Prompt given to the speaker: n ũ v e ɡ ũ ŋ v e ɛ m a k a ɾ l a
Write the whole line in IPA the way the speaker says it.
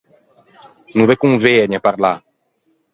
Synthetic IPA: n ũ v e k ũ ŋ v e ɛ ɲ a p a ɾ l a